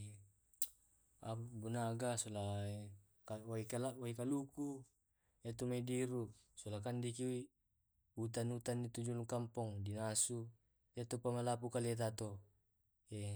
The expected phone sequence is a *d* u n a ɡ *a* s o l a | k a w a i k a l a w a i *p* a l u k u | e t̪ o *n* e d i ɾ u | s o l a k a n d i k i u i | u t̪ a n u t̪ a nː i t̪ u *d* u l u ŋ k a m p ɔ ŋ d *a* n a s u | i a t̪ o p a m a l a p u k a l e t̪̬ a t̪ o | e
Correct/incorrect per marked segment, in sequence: incorrect, correct, incorrect, incorrect, incorrect, incorrect

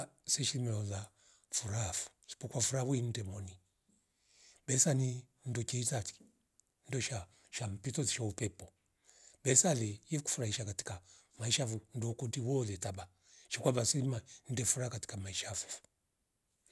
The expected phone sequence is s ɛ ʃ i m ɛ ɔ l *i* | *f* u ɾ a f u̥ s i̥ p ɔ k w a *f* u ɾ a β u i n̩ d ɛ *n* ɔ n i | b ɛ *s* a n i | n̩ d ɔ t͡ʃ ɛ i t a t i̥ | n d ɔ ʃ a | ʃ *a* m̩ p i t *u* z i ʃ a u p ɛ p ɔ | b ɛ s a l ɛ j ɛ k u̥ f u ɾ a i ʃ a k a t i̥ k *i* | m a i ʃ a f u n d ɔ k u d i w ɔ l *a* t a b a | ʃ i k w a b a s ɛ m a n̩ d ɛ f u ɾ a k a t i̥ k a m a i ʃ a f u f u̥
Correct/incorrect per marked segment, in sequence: incorrect, correct, correct, incorrect, correct, correct, incorrect, incorrect, incorrect

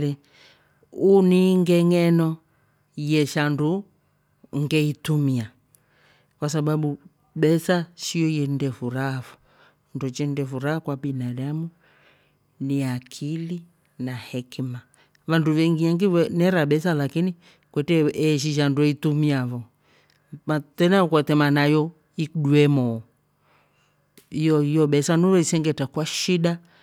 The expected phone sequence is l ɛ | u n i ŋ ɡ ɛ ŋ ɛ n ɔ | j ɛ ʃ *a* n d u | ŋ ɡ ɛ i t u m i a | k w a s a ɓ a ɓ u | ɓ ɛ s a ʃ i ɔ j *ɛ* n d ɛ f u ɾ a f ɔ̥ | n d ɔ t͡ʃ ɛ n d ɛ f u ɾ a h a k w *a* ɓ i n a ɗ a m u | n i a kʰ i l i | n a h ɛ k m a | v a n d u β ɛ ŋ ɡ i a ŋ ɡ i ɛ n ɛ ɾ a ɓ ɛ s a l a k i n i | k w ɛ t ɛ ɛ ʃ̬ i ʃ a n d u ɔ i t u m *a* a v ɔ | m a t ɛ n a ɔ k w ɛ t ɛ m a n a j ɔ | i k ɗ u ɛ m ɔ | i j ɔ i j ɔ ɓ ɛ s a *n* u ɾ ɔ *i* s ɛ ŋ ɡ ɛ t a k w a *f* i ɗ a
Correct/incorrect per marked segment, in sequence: correct, correct, correct, incorrect, correct, correct, incorrect

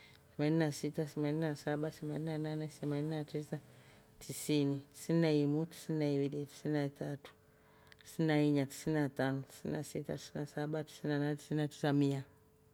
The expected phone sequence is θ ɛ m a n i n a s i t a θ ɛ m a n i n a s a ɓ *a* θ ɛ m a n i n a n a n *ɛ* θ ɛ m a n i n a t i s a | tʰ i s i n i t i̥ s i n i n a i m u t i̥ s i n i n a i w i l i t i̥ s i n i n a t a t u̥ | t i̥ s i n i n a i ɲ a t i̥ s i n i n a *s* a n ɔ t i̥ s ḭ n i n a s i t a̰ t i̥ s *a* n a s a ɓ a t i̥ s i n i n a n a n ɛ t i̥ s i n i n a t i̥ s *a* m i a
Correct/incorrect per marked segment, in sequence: correct, correct, incorrect, incorrect, correct

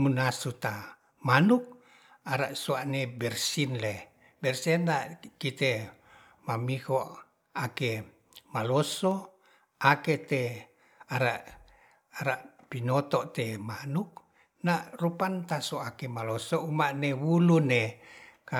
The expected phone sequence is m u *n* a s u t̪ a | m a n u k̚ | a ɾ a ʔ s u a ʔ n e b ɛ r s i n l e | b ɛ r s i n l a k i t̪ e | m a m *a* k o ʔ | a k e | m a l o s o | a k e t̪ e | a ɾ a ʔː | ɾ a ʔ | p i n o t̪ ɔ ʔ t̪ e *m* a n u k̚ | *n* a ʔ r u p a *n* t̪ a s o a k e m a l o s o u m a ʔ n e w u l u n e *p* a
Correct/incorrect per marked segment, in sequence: correct, incorrect, correct, correct, correct, incorrect

